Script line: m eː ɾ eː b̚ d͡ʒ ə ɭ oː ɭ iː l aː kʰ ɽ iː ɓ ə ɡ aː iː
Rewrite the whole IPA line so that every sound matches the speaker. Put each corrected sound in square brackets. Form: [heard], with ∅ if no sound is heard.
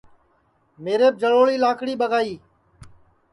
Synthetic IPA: m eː ɾ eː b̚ d͡ʒ ə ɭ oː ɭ iː l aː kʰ ɽ iː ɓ ə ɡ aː iː